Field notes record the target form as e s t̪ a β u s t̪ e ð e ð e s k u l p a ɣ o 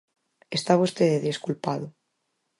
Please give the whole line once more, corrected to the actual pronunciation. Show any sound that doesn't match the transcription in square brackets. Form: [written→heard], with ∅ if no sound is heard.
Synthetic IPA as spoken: e s t̪ a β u s t̪ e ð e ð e s k u l p a [ɣ→ð] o